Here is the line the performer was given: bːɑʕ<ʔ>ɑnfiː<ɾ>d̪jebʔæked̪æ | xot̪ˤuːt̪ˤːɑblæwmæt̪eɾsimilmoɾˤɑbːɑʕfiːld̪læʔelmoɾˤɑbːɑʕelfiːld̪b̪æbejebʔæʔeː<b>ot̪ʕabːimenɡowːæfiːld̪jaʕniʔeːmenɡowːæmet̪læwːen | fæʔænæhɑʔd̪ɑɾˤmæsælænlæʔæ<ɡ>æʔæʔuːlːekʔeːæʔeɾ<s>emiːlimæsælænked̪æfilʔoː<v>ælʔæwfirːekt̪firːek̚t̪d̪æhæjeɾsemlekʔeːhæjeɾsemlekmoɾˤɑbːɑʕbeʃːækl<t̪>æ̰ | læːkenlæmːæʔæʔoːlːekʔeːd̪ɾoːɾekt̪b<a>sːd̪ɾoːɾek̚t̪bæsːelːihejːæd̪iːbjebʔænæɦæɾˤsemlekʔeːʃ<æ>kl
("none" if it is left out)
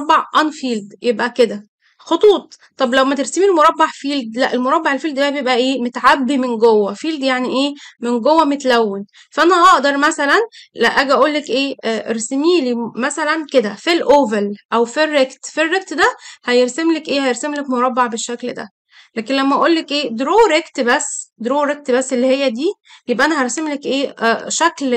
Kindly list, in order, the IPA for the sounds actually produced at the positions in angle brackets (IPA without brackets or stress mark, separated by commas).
ʔ, l, m, ɡ, s, v, d̪, æ, æ